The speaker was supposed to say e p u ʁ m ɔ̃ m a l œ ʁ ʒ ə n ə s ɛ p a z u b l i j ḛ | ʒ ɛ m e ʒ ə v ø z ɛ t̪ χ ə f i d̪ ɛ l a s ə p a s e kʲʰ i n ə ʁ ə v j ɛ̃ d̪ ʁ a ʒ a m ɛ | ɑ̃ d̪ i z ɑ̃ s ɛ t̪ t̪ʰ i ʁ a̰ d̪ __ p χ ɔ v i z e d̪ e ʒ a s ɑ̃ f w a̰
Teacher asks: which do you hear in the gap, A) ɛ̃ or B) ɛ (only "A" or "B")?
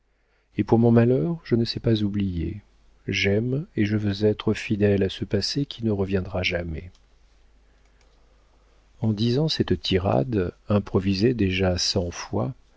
A